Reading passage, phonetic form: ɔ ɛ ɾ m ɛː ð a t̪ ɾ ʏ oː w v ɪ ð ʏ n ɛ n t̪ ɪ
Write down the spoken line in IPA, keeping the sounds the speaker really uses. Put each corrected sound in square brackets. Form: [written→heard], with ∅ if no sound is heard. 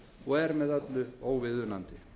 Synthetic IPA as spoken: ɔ ɛ ɾ m [ɛː→ɛ] ð a t̪ [ɾ→l] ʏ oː w v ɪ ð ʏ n [ɛ→a] n t̪ ɪ